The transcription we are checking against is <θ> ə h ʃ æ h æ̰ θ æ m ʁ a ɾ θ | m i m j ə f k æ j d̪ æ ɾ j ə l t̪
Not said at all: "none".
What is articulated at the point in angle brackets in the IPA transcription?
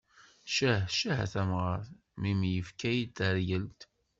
ʃ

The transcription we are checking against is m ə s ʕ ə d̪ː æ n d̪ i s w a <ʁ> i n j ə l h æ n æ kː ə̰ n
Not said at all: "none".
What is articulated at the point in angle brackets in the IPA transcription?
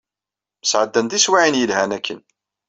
ʕ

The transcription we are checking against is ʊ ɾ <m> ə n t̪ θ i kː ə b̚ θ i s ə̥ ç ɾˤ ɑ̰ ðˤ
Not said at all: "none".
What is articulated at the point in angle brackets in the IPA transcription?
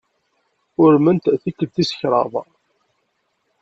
m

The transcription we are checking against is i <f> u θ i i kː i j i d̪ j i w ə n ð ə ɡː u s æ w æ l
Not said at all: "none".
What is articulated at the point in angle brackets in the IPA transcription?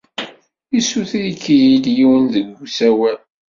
s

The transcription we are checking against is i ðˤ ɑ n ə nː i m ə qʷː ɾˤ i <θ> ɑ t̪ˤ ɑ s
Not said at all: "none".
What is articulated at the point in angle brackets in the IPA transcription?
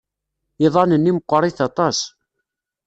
θ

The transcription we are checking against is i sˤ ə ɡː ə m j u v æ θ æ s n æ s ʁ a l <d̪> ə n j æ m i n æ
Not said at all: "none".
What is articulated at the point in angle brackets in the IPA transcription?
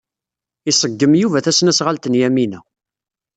t̪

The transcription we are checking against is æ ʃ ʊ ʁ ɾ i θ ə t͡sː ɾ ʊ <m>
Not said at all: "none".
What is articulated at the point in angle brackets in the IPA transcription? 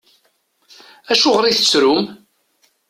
m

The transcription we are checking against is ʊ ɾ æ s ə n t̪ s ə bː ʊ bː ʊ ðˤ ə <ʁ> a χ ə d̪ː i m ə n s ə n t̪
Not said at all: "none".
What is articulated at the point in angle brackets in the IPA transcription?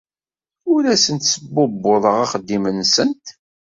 ʁ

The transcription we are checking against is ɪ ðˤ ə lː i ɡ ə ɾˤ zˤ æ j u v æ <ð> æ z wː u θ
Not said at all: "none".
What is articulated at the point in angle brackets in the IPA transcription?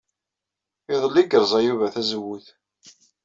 θ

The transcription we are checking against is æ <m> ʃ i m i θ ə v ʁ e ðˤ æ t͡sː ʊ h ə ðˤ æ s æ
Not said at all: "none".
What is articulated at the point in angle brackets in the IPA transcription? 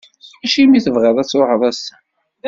none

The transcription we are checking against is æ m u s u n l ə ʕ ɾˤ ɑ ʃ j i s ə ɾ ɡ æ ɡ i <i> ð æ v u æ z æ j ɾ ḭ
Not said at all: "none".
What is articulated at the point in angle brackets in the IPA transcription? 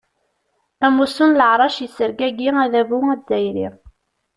æ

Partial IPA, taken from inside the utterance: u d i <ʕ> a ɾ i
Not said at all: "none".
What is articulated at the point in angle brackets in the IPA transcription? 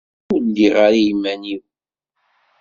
ʁ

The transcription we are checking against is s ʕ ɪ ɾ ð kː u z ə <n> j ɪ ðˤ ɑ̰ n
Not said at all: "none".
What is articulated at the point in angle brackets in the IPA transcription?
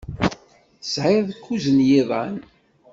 n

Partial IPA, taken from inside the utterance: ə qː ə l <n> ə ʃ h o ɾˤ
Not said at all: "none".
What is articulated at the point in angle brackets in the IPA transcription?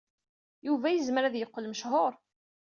m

